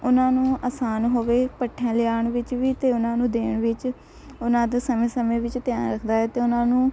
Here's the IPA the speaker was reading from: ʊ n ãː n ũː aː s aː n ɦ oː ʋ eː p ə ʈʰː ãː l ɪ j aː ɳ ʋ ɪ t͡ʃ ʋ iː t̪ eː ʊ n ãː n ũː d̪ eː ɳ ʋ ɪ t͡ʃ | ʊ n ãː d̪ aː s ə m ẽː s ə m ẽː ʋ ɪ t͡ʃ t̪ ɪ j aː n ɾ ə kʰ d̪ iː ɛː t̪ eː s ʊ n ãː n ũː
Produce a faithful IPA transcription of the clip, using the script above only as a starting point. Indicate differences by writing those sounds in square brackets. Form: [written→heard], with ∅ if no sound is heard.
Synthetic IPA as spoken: ʊ n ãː n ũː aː s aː n ɦ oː ʋ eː p ə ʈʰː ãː l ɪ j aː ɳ ʋ ɪ t͡ʃ ʋ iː t̪ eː ʊ n ãː n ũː d̪ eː ɳ ʋ ɪ t͡ʃ | ʊ n ãː d̪ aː s ə m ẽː s ə m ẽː ʋ ɪ t͡ʃ t̪ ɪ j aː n ɾ ə kʰ d̪ [iː→aː] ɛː t̪ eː [s→∅] ʊ n ãː n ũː

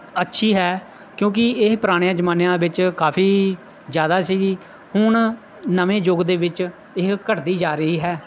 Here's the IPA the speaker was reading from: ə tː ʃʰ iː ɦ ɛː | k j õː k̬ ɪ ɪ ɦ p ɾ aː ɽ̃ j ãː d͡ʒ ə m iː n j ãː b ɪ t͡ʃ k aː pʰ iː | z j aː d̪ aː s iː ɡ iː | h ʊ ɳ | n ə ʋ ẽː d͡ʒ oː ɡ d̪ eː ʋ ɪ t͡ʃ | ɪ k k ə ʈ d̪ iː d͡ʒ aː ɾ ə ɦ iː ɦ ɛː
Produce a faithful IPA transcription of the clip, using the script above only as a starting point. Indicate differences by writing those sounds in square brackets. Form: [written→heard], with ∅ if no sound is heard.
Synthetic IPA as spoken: ə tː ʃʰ iː ɦ ɛː | k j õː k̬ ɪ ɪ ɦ p ɾ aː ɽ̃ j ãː d͡ʒ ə m [iː→aː] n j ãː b ɪ t͡ʃ k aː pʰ iː | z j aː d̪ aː s iː ɡ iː | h ʊ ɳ | n ə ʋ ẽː d͡ʒ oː ɡ d̪ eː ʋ ɪ t͡ʃ | ɪ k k ə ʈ d̪ iː d͡ʒ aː ɾ ə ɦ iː ɦ ɛː

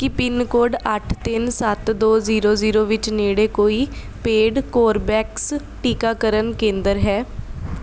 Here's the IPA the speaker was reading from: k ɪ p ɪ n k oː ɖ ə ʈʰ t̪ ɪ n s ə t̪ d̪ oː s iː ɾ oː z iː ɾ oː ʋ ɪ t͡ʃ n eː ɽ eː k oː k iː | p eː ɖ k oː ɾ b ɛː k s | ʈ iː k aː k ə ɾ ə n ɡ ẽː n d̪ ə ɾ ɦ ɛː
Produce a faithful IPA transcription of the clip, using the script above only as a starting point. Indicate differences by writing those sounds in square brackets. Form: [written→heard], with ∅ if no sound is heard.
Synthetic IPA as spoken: k ɪ p ɪ n k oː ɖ ə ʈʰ t̪ ɪ n s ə t̪ d̪ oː [s→z] iː ɾ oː z iː ɾ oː ʋ ɪ t͡ʃ n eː ɽ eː k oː [k→∅] iː | p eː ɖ k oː ɾ b ɛː k s | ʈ iː k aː k ə ɾ ə n [ɡ→k] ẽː n d̪ ə ɾ ɦ ɛː

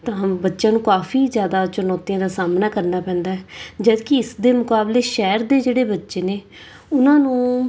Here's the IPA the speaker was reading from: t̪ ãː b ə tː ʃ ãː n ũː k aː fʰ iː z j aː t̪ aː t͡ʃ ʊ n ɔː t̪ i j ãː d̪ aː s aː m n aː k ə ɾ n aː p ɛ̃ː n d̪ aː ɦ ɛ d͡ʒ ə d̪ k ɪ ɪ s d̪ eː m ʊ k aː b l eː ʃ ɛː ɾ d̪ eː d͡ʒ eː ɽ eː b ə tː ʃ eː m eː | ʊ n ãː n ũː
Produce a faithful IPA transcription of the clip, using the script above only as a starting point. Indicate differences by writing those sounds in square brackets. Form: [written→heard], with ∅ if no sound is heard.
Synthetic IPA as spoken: t̪ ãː b ə tː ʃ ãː n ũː k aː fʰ iː z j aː [t̪→d̪] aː t͡ʃ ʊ n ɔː t̪ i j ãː d̪ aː s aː m n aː k ə ɾ n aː p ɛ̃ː n d̪ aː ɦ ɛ d͡ʒ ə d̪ k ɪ ɪ s d̪ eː m ʊ k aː b l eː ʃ ɛː ɾ d̪ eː d͡ʒ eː ɽ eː b ə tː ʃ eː [m→n] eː | ʊ n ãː n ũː

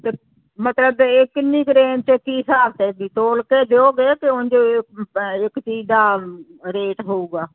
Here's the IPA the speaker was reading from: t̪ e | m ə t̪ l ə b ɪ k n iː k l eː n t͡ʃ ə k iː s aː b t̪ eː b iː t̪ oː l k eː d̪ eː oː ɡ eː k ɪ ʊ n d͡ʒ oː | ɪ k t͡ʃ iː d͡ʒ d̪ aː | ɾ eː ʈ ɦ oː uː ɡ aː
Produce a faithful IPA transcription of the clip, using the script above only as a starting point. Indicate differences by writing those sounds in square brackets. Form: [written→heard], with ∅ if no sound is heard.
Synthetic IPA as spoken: t̪ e | m ə t̪ l ə b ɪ k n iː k [l→ɾ] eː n t͡ʃ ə k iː s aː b t̪ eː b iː t̪ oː l k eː d̪ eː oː ɡ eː k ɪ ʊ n d͡ʒ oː | ɪ k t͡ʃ iː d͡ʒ d̪ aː | ɾ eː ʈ ɦ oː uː ɡ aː

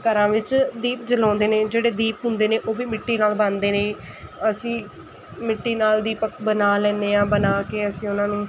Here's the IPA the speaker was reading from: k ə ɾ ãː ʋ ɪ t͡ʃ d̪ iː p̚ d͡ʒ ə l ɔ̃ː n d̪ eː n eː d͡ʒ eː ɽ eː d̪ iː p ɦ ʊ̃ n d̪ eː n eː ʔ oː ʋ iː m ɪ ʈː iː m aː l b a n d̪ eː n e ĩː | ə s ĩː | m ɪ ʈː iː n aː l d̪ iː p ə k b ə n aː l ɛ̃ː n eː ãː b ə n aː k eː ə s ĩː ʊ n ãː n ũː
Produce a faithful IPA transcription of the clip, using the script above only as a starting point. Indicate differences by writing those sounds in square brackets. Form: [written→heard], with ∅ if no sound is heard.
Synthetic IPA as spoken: k ə ɾ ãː ʋ ɪ t͡ʃ d̪ iː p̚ d͡ʒ ə l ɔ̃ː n d̪ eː n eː d͡ʒ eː ɽ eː d̪ iː p ɦ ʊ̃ n d̪ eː n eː ʔ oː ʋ iː m ɪ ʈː iː [m→n] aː l b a n d̪ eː n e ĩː | ə s ĩː | m ɪ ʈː iː n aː l d̪ iː p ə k b ə n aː l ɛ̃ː n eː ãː b ə n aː k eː ə s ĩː ʊ n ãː n ũː

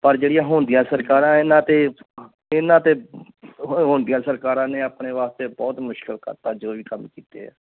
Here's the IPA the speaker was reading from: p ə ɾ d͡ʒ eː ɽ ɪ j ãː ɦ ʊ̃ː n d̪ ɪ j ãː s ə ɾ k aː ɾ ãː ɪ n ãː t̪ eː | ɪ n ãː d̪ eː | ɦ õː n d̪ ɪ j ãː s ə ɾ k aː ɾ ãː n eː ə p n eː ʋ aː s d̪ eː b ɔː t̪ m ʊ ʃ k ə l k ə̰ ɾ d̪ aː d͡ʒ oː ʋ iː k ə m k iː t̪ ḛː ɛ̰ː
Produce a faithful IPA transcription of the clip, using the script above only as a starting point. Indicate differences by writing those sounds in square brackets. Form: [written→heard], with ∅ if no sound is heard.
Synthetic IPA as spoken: p ə ɾ d͡ʒ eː ɽ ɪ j ãː ɦ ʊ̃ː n d̪ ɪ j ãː s ə ɾ k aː ɾ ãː ɪ n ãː t̪ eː | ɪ n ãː [d̪→t̪] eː | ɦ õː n d̪ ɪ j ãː s ə ɾ k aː ɾ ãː n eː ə p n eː ʋ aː s [d̪→t̪] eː b ɔː t̪ m ʊ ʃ k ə l k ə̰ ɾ [d̪→t̪] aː d͡ʒ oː ʋ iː k ə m k iː t̪ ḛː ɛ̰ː

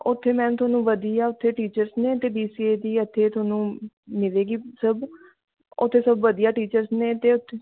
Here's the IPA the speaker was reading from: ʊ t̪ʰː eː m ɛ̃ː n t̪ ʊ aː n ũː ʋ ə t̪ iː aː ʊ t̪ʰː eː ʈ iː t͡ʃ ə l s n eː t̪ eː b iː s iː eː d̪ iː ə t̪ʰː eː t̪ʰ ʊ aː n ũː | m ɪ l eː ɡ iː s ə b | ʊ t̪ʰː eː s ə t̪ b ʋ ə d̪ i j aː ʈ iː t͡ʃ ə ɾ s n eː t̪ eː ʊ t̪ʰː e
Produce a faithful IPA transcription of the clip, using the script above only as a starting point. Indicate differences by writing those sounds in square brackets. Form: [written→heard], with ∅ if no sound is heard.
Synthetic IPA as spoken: ʊ t̪ʰː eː m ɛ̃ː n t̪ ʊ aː n ũː ʋ ə [t̪→d̪] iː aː ʊ t̪ʰː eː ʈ iː t͡ʃ ə [l→ɾ] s n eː t̪ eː b iː s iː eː d̪ iː ə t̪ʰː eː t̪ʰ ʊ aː n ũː | m ɪ l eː ɡ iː s ə b | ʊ t̪ʰː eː s ə [t̪→∅] b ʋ ə d̪ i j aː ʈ iː t͡ʃ ə ɾ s n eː t̪ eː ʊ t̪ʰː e

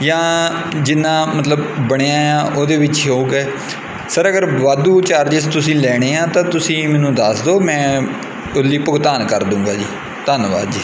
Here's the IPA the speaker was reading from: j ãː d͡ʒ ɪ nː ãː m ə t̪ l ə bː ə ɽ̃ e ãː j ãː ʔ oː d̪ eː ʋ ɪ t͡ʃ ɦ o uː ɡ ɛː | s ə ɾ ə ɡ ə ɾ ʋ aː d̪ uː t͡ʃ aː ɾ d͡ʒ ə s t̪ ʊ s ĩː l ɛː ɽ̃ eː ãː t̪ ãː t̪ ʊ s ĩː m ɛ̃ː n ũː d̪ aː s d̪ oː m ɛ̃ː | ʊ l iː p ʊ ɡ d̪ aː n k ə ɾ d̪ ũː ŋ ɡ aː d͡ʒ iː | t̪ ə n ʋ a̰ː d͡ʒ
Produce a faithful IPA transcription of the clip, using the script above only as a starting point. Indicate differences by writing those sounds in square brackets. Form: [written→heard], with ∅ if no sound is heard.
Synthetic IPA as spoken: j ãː d͡ʒ ɪ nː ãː m ə t̪ l ə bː ə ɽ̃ e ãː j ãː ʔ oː d̪ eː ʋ ɪ t͡ʃ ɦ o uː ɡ ɛː | s ə ɾ ə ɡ ə ɾ ʋ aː d̪ uː t͡ʃ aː ɾ d͡ʒ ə s t̪ ʊ s ĩː l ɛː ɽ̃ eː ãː t̪ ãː t̪ ʊ s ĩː m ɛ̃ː n ũː d̪ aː s d̪ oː m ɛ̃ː | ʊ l iː p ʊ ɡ [d̪→t̪] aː n k ə ɾ d̪ ũː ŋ ɡ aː d͡ʒ iː | t̪ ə n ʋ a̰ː d͡ʒ

